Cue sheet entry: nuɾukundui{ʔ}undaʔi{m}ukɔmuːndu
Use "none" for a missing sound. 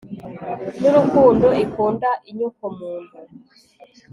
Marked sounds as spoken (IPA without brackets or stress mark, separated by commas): k, ɲ